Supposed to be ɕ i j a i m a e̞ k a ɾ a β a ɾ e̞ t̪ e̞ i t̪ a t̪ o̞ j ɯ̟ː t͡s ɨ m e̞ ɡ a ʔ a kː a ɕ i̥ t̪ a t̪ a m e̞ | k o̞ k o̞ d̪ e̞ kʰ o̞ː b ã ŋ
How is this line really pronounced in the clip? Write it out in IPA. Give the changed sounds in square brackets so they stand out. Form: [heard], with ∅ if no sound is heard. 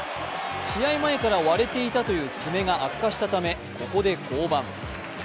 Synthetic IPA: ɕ i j a i m a e̞ k a ɾ a β a ɾ e̞ t̪ e̞ i t̪ a t̪ o̞ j ɯ̟ː t͡s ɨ m e̞ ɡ a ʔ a kː a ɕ i̥ t̪ a t̪ a m e̞ | k o̞ k o̞ d̪ e̞ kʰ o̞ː b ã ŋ